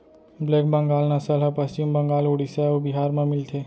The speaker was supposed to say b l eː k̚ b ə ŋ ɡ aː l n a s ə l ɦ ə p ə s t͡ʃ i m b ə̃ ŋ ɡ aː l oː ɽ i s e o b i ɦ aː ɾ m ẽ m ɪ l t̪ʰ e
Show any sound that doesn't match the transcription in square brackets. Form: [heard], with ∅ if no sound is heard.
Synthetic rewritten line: b l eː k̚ b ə ŋ ɡ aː l n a s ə l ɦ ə p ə s t͡ʃ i m b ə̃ ŋ ɡ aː l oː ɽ i s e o b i ɦ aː ɾ m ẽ m ɪ l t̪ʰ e

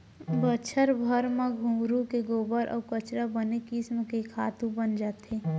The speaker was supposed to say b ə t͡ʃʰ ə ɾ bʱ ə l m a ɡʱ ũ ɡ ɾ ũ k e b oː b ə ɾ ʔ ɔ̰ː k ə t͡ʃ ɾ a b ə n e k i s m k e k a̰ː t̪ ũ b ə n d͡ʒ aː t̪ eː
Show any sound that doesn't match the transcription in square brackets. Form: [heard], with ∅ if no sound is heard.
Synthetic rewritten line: b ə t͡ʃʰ ə ɾ bʱ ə [ɾ] m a ɡʱ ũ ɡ ɾ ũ k e [ɡ] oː b ə ɾ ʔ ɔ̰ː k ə t͡ʃ ɾ a b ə n e k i s m k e [kʰ] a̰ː t̪ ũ b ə n d͡ʒ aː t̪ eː

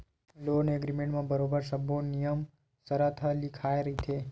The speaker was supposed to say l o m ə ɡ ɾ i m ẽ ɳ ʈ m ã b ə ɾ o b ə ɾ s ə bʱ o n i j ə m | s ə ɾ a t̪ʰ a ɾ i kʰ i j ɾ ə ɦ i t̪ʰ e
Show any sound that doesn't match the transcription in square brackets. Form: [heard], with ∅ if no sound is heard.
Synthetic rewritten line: l o [n] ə ɡ ɾ i m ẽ ɳ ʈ m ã b ə ɾ o b ə ɾ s ə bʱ o n i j ə m | s ə ɾ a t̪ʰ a [l] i kʰ [a] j ɾ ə ɦ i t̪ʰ e

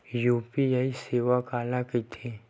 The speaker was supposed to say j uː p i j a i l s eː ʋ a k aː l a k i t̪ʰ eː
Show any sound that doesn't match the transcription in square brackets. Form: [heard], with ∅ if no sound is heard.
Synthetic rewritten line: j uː p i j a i [∅] s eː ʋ a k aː l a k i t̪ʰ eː

